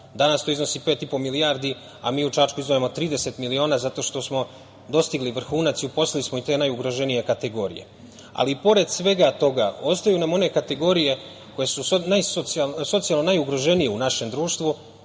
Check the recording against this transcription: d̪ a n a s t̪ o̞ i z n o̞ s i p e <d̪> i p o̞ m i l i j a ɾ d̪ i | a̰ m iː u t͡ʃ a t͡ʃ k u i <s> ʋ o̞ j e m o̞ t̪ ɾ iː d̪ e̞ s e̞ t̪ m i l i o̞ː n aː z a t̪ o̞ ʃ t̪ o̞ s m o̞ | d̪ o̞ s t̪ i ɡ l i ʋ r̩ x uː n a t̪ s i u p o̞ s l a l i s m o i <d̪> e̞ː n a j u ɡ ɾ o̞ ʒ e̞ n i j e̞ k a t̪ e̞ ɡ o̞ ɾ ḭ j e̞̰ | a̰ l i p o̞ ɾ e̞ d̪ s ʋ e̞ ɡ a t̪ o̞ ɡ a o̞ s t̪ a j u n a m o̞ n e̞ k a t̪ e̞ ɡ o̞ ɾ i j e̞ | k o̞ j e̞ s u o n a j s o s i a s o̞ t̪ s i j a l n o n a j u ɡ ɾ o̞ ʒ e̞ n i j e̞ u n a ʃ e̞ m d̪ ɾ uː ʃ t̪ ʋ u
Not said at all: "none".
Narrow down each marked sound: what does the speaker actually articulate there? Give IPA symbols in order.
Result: t̪, z, t̪

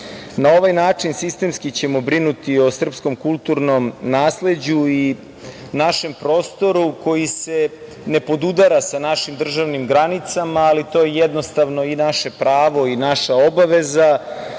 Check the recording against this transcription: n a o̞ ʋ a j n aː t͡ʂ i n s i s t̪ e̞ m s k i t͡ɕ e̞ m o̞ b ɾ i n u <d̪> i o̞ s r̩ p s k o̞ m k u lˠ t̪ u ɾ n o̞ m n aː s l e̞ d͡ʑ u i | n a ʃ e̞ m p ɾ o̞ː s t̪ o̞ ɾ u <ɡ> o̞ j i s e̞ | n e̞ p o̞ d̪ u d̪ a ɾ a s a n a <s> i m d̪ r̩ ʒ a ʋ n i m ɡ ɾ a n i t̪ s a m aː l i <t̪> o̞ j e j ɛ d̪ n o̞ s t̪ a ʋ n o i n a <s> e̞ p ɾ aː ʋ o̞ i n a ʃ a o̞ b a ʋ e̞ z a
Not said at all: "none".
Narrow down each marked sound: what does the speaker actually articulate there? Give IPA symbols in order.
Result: t̪, k, ʃ, t̪, ʃ

